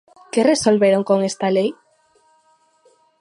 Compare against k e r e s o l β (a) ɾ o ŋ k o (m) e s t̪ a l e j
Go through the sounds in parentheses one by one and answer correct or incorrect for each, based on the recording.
incorrect, incorrect

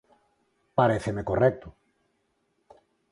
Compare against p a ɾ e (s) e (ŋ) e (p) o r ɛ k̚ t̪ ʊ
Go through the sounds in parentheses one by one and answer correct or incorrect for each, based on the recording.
incorrect, incorrect, incorrect

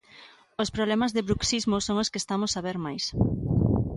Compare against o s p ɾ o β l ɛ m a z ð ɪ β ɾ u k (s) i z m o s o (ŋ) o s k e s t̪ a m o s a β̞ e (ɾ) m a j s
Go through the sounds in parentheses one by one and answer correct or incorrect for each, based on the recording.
correct, correct, correct

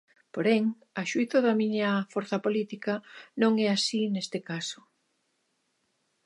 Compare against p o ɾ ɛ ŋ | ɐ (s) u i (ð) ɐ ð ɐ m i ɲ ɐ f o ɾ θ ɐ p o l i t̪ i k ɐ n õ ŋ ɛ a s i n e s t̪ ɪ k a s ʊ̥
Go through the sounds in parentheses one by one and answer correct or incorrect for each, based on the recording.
incorrect, incorrect

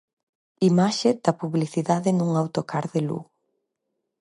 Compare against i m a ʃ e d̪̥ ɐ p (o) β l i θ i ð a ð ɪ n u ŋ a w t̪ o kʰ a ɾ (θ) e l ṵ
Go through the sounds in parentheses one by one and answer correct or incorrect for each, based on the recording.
incorrect, incorrect

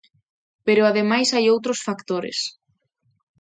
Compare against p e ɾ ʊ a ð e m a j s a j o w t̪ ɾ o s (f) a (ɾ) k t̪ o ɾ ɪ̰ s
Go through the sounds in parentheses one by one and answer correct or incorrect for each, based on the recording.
correct, incorrect

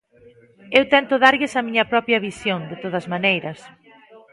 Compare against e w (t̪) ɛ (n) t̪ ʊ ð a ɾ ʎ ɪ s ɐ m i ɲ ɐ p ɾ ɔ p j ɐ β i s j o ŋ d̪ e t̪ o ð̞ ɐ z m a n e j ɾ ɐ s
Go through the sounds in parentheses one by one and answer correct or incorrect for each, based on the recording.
correct, correct

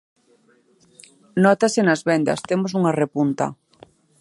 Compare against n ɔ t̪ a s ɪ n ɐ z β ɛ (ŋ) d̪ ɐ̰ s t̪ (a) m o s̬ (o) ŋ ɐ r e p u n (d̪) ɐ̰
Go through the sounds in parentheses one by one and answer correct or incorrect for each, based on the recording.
incorrect, incorrect, incorrect, incorrect

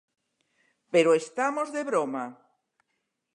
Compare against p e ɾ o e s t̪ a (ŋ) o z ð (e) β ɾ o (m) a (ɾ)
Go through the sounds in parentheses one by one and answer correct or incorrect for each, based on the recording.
incorrect, correct, correct, incorrect

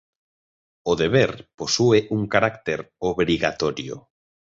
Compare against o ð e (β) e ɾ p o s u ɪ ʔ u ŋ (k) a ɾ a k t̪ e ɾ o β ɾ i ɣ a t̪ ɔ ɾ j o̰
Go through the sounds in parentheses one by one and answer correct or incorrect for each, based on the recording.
correct, correct

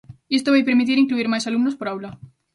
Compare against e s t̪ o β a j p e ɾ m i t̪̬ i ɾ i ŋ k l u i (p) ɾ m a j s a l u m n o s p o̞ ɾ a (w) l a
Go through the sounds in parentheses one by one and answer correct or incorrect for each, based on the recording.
incorrect, correct

